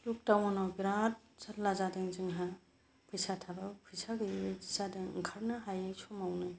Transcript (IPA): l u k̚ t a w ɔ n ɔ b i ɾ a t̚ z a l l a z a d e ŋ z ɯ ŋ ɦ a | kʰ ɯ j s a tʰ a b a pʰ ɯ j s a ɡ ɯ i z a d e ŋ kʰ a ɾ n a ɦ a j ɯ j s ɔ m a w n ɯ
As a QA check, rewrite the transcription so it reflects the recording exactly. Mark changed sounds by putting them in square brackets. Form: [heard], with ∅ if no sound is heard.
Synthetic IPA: l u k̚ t a w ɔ n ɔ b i ɾ a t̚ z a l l a z a d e ŋ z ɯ ŋ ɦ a | [pʰ] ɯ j s a tʰ a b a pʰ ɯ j s a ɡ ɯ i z a d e ŋ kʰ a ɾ n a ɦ a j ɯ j s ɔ m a w n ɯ